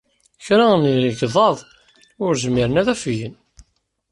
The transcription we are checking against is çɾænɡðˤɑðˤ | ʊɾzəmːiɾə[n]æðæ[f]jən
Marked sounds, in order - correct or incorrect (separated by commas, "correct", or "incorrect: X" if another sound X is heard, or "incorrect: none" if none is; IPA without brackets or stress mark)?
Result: correct, correct